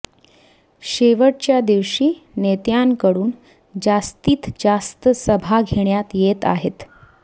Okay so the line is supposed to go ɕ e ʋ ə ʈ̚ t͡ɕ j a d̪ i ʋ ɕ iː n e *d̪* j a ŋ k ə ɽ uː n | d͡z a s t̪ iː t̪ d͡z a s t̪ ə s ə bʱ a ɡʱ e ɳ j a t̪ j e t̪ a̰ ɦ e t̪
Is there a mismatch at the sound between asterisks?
yes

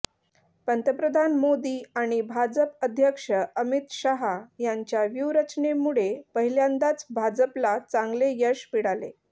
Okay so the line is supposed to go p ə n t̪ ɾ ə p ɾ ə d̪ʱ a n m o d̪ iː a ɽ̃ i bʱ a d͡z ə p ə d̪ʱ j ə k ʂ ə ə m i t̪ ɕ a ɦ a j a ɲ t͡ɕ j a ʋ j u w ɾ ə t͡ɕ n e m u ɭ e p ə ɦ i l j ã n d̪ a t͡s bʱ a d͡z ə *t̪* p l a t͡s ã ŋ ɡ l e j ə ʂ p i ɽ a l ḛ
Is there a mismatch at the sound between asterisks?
yes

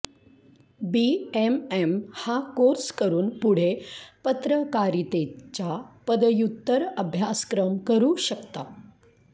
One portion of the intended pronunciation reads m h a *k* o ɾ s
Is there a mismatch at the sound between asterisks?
no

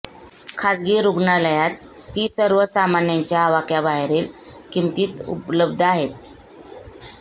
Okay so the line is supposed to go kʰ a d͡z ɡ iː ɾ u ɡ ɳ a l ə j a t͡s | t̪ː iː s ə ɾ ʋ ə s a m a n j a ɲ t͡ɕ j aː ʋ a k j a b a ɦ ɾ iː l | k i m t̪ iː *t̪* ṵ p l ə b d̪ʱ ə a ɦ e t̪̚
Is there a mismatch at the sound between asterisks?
no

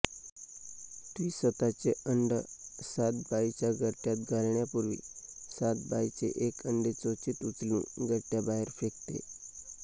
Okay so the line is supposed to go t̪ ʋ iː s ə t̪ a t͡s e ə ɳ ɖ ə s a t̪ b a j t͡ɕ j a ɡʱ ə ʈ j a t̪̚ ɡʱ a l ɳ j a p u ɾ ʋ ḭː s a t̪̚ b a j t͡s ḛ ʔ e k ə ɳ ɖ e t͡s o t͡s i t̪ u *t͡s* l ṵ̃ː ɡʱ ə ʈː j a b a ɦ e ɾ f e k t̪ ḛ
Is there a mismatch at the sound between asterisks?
no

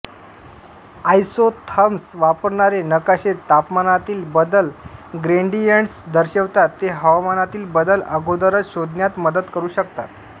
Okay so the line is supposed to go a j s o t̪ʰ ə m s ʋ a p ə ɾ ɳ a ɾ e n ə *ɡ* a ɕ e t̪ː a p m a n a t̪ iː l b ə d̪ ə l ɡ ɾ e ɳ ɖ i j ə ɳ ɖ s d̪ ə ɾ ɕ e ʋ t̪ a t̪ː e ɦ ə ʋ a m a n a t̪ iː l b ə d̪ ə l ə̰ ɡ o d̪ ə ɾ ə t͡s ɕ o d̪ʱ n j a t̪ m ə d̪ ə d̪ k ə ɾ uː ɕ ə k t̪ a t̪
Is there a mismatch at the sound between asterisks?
yes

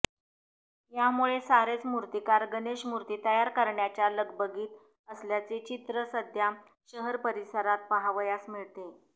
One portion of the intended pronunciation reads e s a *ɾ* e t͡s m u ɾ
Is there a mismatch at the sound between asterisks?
no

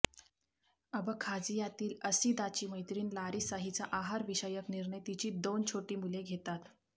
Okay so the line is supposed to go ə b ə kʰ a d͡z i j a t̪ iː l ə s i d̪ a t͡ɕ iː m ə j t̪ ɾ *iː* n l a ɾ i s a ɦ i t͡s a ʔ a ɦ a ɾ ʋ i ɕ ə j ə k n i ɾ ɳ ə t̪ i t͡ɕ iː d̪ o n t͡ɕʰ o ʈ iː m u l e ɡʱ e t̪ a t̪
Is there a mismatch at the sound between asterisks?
no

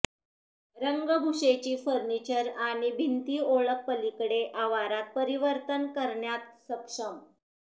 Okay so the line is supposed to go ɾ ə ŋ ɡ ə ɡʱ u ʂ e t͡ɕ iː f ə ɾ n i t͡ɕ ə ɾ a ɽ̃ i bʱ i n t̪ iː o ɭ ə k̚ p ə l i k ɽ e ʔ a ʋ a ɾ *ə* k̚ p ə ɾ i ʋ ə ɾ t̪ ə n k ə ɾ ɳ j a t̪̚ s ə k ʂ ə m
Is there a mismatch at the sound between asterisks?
yes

